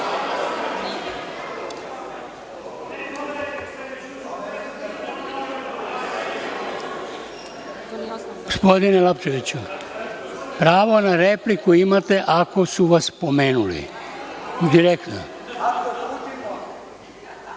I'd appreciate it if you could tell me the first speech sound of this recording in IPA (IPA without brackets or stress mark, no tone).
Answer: ɡ